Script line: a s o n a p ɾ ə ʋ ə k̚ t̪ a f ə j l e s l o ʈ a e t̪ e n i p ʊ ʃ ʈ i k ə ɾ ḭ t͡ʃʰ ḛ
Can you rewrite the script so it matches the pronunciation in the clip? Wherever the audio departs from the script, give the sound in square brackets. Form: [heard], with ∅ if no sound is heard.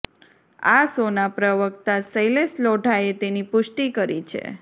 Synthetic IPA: a s o n a p ɾ ə ʋ ə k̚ t̪ a [s] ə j l e s l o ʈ a e t̪ e n i p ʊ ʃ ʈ i k ə ɾ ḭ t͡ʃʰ ḛ